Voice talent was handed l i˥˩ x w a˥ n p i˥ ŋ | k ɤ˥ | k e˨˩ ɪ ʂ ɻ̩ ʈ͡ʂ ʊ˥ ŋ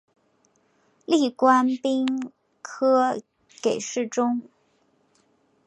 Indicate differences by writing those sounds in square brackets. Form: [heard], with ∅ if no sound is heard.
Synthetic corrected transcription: l i˥˩ [k] w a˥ n p i˥ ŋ | [kʰ] ɤ˥ | k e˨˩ ɪ ʂ ɻ̩ ʈ͡ʂ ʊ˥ ŋ